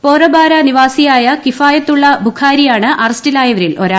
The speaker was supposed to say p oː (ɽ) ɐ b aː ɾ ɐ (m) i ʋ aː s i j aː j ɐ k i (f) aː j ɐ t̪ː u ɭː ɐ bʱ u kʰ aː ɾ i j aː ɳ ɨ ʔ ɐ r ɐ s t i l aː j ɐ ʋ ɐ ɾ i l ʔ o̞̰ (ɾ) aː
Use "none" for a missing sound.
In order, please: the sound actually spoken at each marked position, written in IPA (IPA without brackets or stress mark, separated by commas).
r, n, f, ɾ